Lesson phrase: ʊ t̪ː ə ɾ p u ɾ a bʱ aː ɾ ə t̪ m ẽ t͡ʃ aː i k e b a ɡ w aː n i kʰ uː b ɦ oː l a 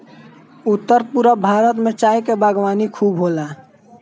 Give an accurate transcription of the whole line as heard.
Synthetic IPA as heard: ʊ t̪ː ə ɾ p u ɾ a bʱ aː ɾ ə t̪ m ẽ t͡ʃ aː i k e b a ɡ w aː n i kʰ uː b ɦ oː l a